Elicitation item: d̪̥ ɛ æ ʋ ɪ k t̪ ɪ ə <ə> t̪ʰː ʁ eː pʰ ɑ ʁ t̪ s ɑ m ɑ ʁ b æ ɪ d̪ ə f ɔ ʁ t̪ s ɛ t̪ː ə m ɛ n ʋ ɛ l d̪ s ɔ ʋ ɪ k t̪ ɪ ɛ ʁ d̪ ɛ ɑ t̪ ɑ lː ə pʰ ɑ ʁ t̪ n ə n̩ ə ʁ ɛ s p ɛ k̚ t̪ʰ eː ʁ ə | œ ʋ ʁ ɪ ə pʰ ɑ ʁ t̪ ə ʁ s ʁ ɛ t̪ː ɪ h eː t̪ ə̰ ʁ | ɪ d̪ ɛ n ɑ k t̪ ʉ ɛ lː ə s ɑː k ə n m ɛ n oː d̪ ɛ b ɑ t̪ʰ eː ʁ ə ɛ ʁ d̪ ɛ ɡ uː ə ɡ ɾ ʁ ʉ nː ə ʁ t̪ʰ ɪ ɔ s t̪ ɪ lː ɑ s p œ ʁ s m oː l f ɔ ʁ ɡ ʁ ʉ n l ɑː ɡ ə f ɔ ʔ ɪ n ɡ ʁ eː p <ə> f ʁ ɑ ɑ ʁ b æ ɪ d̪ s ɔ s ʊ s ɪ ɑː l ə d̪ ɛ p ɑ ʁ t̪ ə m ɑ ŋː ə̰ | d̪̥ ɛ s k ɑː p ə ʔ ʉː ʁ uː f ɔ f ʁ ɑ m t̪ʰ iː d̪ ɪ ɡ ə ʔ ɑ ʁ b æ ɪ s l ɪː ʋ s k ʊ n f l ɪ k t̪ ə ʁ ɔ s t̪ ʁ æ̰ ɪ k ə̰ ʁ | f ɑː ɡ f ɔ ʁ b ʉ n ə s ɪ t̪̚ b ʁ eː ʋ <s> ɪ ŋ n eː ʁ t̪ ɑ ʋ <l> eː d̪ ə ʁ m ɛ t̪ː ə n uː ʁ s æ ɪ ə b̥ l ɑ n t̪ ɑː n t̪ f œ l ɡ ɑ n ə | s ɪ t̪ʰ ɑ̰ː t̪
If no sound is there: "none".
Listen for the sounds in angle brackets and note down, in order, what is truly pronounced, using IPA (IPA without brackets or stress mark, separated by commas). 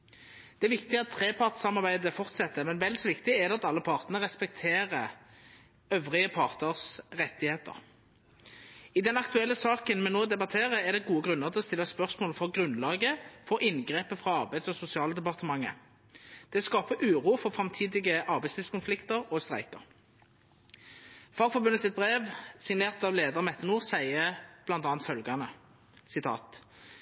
ɑ, ə, s, l